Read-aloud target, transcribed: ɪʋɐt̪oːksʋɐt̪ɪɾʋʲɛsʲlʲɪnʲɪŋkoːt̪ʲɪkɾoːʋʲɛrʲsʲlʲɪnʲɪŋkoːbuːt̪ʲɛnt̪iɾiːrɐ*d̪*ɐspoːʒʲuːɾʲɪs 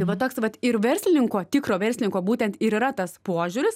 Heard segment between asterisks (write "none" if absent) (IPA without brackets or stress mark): t̪